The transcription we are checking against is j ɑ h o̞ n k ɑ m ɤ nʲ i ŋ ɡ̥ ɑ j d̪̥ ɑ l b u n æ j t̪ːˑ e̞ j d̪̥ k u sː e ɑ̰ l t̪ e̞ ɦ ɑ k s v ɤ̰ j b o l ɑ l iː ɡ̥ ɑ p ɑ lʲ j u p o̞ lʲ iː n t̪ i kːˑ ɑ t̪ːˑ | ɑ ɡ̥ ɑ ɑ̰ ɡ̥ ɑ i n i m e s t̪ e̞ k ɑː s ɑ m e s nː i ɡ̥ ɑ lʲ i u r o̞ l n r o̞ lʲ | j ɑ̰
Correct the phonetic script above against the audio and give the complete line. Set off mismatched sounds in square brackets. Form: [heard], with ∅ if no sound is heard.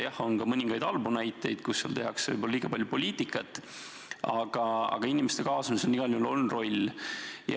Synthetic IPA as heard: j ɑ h o̞ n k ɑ m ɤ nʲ i ŋ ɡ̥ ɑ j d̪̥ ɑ l b u n æ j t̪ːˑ e̞ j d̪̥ k u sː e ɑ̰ l t̪ e̞ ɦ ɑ k s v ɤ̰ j b o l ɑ l iː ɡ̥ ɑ p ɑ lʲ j u p o̞ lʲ iː [∅] t̪ i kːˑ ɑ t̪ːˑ | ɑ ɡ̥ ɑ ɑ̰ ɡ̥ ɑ i n i m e s t̪ e̞ k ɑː s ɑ m [i] s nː i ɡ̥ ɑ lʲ i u [l] o̞ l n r o̞ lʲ | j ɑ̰